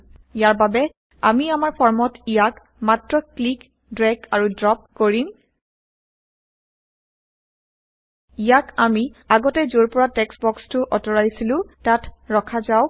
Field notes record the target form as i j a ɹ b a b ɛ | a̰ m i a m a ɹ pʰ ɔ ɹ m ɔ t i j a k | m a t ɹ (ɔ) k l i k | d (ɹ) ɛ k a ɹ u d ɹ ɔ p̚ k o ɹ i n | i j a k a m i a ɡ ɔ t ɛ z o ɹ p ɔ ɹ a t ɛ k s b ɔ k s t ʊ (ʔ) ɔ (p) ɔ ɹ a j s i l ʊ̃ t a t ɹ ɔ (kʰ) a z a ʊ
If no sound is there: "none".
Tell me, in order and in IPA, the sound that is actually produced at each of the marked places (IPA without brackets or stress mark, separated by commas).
ɔ, ɹ, ʔ, t, kʰ